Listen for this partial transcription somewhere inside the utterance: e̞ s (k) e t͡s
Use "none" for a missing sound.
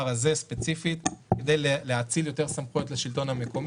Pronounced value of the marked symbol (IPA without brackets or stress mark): p